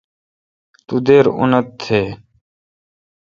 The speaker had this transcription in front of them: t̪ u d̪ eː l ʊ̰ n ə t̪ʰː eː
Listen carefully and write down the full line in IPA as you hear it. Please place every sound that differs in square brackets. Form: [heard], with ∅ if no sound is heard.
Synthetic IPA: t̪ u d̪ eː [ɾ] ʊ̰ n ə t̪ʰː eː